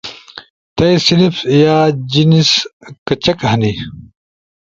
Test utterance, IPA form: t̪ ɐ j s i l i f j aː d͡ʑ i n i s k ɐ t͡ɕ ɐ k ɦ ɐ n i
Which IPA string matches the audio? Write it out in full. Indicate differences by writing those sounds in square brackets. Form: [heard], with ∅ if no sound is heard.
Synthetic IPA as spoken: t̪ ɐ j s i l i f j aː d͡ʑ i n i s k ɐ t͡ɕ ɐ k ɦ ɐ n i